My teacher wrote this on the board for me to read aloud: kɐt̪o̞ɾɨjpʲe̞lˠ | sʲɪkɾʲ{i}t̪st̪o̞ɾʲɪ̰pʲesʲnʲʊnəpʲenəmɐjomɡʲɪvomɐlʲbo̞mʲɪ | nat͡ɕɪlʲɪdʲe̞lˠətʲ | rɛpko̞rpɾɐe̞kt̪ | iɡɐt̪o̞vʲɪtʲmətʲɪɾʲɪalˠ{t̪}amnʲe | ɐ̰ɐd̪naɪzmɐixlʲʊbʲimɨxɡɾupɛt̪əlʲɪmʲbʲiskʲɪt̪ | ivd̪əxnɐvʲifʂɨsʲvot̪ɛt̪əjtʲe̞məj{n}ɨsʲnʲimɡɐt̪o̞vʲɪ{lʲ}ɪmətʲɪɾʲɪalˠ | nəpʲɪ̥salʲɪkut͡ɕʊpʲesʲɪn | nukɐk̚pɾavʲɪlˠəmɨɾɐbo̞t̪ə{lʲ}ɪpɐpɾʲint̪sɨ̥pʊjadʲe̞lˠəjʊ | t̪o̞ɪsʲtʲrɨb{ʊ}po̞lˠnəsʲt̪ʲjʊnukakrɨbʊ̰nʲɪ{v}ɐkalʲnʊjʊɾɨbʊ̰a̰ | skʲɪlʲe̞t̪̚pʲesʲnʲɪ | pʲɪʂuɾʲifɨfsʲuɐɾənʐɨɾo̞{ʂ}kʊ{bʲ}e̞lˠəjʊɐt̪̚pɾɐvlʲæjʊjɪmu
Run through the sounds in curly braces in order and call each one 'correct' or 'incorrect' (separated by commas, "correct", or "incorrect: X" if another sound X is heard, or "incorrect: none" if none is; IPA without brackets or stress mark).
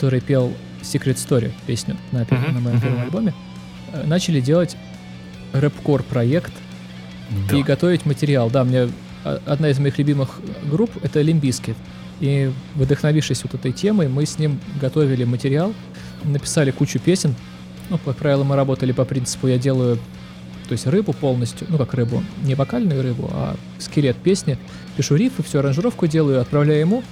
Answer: incorrect: e, incorrect: d̪, incorrect: m, correct, correct, correct, correct, incorrect: f, incorrect: dʲ